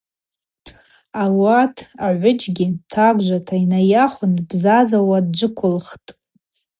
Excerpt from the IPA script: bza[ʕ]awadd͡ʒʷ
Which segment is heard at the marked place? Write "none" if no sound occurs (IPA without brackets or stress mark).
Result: z